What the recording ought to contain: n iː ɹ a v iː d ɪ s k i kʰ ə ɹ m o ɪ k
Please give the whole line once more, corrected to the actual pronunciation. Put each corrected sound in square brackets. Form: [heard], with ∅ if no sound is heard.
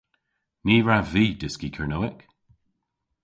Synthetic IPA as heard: n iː ɹ a v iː d ɪ s k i kʰ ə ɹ [n] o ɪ k